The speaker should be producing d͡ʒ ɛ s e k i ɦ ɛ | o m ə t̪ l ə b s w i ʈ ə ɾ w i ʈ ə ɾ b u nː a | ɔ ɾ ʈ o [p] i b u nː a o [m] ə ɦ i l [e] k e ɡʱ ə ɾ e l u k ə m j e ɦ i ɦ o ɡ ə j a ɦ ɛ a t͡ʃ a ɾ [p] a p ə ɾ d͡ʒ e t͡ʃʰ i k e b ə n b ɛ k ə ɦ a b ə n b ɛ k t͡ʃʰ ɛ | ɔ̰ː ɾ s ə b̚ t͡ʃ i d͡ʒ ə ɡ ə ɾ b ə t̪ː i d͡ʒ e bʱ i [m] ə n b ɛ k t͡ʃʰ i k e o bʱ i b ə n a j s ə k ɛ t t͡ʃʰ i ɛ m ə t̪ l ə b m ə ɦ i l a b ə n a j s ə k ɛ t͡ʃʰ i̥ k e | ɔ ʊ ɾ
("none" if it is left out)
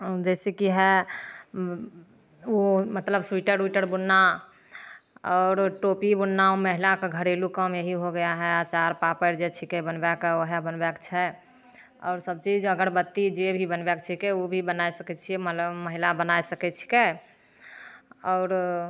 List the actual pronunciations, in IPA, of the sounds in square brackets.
p, m, a, p, b

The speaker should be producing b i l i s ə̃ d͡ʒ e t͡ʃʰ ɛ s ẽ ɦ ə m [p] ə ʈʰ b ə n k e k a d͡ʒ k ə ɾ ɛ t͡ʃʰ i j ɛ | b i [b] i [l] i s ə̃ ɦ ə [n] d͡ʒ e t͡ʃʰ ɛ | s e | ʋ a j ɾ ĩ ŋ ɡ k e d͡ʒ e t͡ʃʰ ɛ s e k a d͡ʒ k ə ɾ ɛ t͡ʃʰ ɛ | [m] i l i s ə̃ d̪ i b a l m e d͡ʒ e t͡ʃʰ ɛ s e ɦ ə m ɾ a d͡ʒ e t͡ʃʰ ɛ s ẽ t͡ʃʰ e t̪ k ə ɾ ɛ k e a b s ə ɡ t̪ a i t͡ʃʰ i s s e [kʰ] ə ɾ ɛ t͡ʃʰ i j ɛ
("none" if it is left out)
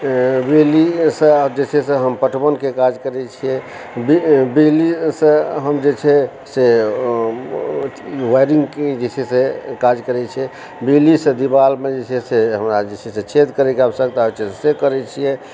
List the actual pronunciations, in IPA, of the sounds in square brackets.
p, b, l, m, b, k

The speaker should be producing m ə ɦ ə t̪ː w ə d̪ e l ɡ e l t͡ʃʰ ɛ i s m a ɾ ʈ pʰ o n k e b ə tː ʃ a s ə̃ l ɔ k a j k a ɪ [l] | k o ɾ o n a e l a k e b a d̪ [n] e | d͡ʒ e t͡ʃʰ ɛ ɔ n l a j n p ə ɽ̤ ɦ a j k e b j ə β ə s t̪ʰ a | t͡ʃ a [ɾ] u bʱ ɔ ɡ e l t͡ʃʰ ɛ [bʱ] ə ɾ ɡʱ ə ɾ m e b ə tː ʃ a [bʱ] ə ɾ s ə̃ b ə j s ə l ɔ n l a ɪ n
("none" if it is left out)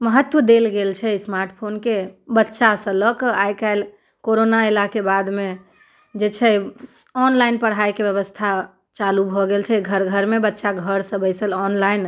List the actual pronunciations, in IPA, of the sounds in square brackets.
l, m, l, ɡʱ, ɡʱ

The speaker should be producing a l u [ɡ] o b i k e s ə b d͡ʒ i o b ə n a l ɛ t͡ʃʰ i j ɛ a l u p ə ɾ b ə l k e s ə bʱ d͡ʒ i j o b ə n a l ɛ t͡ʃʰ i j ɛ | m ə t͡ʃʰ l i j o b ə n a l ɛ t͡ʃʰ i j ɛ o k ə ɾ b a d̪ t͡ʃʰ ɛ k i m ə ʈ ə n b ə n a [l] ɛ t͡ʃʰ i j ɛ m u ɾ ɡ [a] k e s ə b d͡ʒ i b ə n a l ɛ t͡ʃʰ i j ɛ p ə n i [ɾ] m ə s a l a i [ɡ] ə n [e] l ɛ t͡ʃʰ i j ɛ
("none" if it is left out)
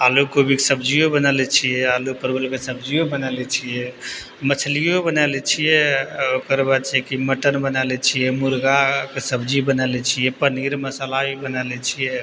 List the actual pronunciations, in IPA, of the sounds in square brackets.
k, l, a, ɾ, b, a

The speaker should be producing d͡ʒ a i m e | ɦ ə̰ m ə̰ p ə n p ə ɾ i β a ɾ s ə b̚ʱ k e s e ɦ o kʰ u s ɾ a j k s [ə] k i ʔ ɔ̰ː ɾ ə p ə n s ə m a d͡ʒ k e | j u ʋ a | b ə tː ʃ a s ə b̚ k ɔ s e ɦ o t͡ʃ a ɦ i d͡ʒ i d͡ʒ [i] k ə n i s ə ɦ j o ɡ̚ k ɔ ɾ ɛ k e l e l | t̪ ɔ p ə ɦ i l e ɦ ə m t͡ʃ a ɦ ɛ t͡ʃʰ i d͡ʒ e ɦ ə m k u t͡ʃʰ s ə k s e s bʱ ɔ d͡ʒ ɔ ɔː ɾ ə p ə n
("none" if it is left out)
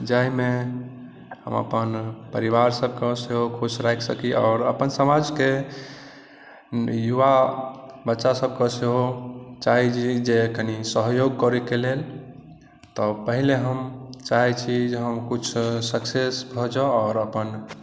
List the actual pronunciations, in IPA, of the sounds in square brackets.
ə, e

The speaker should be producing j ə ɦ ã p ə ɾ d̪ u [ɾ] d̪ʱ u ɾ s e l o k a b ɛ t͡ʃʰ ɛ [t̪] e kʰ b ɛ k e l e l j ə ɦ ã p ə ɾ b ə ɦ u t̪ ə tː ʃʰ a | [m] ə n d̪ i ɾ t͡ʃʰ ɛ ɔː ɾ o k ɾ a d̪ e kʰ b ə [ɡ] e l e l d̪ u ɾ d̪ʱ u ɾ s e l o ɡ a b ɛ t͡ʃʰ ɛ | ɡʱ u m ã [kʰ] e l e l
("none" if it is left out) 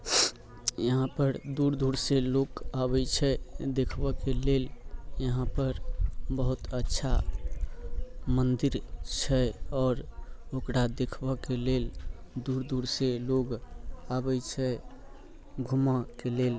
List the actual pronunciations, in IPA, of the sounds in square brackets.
ɾ, d̪, m, k, k

